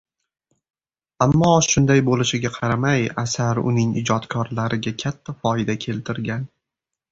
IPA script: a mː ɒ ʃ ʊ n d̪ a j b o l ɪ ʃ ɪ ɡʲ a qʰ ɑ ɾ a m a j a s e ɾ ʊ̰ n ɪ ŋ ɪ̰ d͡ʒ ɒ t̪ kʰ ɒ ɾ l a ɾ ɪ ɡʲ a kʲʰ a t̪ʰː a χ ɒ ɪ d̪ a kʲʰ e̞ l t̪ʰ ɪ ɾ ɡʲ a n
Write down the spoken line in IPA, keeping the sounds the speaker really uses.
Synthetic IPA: a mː ɒ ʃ ʊ n d̪ a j b o l ɪ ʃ ɪ ɡʲ a qʰ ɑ ɾ a m a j a s a ɾ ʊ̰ n ɪ ŋ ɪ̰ d͡ʒ ɒ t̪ kʰ ɒ ɾ l a ɾ ɪ ɡʲ a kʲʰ a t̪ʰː a f ɒ ɪ d̪ a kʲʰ e̞ l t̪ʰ ɪ ɾ ɡʲ a n